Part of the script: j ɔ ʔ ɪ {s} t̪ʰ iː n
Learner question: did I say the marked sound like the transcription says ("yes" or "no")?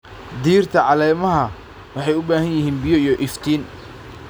no